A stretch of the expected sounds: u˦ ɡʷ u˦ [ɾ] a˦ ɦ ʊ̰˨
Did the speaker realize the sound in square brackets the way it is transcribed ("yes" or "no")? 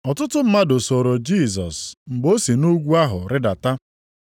no